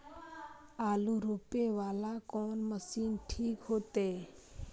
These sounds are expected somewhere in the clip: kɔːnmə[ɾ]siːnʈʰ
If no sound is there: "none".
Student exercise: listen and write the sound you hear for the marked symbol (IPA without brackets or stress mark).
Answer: none